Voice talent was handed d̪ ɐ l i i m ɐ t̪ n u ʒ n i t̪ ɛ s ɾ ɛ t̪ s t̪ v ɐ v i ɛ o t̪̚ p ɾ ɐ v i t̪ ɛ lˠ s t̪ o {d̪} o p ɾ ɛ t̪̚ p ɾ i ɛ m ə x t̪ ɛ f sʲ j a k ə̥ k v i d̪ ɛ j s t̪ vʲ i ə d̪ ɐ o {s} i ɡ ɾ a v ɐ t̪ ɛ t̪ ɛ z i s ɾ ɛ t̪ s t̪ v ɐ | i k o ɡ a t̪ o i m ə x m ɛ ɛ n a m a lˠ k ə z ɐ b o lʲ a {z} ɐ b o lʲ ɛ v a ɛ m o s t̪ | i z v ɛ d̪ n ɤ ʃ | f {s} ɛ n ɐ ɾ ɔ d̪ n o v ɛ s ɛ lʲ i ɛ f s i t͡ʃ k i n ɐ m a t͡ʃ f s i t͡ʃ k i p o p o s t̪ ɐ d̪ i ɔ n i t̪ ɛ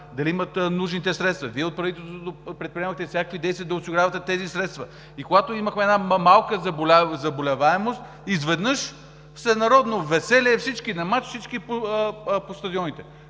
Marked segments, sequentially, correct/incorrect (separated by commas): incorrect, correct, correct, correct